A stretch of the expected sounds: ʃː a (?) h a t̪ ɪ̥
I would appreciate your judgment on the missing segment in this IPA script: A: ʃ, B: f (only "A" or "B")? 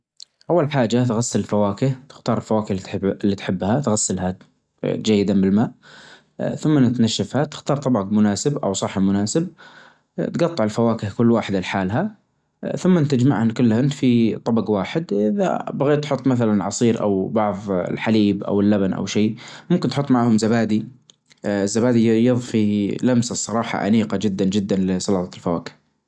B